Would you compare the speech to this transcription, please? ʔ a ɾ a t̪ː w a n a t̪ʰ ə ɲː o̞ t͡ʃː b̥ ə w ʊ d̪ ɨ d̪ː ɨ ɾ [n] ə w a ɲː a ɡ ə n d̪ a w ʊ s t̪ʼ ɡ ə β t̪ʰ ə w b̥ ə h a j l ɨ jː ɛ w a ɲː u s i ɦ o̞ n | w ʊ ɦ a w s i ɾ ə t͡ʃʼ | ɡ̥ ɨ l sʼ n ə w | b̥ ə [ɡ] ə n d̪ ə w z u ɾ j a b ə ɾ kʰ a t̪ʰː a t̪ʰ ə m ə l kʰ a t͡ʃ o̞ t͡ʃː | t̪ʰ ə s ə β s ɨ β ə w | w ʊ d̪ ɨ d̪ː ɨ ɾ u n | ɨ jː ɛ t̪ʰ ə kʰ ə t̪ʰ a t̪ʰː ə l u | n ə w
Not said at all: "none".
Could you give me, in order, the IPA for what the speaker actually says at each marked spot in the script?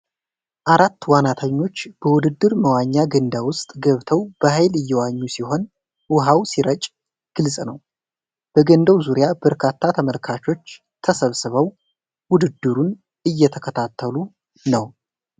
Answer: m, ɡ

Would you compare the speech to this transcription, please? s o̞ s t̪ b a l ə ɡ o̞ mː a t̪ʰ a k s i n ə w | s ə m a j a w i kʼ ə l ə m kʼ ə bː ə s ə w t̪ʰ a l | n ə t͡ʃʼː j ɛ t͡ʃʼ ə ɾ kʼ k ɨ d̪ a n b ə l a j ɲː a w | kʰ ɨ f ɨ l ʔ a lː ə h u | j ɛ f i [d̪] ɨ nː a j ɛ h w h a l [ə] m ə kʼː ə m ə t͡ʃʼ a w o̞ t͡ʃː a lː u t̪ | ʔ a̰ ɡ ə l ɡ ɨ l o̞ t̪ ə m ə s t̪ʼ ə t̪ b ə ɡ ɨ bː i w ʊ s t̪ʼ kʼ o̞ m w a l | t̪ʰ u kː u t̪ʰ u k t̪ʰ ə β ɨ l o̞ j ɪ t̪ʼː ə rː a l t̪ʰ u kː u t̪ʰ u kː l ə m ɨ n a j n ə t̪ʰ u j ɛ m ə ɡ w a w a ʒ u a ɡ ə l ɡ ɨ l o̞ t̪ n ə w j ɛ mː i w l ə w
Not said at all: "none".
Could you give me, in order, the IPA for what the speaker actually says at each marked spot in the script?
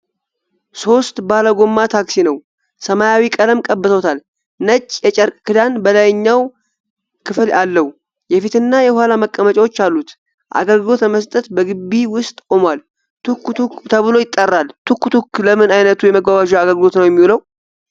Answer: t̪, a

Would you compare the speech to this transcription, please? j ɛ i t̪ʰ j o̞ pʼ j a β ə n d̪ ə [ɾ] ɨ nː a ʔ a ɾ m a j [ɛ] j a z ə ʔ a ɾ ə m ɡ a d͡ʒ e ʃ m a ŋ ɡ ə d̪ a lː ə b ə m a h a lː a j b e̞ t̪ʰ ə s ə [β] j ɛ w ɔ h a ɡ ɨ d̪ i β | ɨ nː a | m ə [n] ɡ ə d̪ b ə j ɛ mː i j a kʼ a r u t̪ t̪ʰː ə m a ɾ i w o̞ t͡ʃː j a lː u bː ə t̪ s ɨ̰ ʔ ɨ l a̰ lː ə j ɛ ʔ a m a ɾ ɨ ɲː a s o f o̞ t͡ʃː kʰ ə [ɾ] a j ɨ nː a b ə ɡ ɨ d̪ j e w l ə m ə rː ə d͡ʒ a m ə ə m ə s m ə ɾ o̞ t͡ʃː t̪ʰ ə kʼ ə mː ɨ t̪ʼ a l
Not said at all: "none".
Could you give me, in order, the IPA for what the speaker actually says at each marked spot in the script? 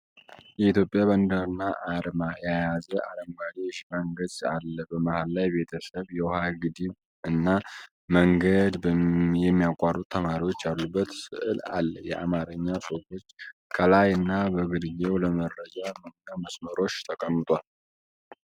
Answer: ɾ, a, β, ŋ, l

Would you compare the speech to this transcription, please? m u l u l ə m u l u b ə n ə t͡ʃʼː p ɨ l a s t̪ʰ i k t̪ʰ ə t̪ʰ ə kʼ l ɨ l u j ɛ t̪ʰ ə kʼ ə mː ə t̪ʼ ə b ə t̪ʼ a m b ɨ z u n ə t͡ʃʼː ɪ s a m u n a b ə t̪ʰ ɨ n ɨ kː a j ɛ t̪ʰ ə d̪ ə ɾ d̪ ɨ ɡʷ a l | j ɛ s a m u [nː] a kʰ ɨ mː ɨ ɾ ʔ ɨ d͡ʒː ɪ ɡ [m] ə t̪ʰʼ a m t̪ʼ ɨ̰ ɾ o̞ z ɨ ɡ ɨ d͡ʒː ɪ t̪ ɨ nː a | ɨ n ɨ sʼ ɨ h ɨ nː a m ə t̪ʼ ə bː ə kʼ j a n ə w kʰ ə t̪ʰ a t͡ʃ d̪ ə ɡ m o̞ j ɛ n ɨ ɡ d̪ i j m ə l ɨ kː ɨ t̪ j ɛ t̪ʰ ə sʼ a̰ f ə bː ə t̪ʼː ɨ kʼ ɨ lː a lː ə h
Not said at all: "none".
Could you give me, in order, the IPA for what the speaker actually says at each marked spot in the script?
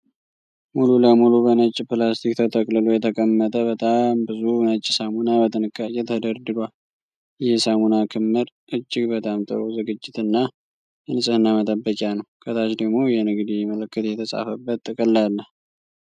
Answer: n, b

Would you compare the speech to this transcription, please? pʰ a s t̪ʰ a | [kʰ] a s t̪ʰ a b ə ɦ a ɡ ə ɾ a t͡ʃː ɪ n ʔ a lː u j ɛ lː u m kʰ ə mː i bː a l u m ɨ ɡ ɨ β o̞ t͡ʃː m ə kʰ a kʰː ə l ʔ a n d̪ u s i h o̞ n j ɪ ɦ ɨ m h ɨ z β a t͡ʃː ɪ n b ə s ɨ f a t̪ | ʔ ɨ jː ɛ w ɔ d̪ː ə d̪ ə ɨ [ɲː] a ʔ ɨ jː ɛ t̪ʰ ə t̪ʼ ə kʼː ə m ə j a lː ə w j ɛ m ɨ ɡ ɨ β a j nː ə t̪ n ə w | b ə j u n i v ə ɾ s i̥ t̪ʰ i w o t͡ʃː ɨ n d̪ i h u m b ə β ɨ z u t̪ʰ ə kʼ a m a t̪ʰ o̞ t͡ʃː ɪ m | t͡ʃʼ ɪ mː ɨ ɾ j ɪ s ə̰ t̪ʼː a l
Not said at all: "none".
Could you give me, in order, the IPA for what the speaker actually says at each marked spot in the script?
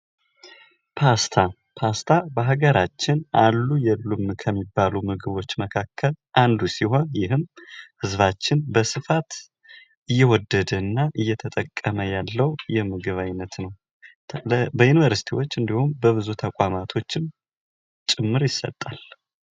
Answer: pʰ, nː

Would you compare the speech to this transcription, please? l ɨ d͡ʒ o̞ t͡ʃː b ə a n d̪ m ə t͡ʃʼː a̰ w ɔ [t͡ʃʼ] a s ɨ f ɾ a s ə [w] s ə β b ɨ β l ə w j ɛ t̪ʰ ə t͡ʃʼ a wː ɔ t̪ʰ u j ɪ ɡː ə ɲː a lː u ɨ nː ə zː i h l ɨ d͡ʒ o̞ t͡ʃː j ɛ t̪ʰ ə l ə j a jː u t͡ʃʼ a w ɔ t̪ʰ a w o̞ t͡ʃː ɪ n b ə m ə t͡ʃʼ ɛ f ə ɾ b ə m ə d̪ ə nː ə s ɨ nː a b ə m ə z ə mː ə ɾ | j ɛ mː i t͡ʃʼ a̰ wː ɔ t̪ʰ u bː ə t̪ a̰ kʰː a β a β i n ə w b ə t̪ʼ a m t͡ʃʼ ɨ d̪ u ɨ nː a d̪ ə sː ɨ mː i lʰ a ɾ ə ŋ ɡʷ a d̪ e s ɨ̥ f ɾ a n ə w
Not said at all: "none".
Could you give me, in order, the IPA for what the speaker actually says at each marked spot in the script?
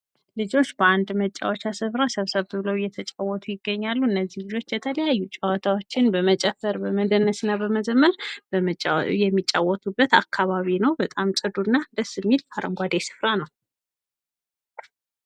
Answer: t͡ʃ, β

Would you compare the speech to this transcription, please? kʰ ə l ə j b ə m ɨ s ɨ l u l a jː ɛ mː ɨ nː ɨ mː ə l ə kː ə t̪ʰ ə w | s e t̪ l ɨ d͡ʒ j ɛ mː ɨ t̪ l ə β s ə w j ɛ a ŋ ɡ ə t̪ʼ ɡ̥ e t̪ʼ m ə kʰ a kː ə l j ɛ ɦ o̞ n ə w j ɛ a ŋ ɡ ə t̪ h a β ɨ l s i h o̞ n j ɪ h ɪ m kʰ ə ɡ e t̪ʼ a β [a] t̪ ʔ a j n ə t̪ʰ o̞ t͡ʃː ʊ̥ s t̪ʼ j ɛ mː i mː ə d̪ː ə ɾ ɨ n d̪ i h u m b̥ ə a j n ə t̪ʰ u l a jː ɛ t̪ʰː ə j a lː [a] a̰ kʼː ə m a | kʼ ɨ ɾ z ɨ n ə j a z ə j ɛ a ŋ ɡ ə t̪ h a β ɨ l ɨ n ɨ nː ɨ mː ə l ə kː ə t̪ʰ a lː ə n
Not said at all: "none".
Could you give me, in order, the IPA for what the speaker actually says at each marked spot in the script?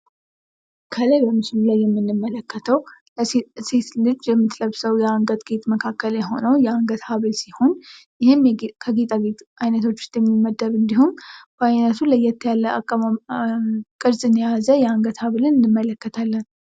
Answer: e, ə

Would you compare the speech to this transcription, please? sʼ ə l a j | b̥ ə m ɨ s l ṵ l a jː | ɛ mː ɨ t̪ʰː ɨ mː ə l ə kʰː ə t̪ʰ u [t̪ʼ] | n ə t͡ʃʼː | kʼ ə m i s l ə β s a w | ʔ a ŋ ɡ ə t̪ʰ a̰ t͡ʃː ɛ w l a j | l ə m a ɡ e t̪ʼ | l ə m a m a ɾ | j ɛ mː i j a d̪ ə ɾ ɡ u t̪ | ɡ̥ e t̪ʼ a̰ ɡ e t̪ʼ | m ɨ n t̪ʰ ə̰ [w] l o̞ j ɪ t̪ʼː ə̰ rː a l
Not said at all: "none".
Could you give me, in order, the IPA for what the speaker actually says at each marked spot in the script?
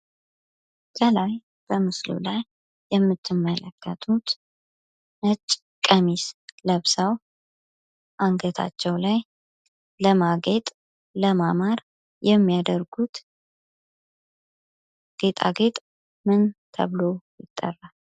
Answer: t̪, β

